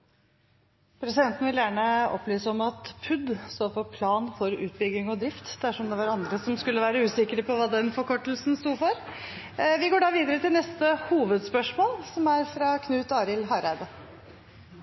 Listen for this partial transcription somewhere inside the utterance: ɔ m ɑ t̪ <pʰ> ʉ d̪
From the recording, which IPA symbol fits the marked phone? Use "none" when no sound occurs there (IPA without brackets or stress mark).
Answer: pʰ